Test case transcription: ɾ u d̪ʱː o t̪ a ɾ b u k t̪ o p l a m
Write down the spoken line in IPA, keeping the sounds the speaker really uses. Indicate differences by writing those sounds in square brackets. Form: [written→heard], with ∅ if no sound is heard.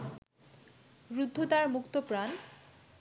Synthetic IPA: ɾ u d̪ʱː o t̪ a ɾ [b→m] u k t̪ o p [l→ɾ] a [m→n]